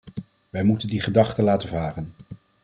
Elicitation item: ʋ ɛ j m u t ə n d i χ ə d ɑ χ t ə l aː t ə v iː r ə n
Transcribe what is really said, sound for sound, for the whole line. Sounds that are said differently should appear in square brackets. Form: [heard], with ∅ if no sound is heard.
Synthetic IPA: ʋ ɛ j m u t ə n d i χ ə d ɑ χ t ə l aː t ə v [aː] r ə n